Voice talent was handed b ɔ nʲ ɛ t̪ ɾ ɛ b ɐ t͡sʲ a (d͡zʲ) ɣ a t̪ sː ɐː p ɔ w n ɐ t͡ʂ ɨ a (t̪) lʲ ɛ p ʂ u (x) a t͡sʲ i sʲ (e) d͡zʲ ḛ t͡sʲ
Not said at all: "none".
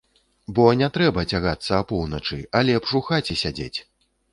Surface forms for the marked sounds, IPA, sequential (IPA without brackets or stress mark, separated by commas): none, none, x, a